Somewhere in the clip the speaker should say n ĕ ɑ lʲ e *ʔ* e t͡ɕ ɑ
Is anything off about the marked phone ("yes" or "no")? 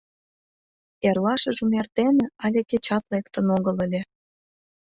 yes